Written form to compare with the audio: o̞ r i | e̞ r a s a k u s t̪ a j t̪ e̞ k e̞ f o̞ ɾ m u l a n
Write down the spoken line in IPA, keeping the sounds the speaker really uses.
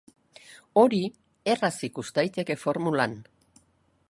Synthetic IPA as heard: o̞ ɾ i | e̞ r a s i k u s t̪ a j t̪ e̞ k e̞ f o̞ ɾ m u l a n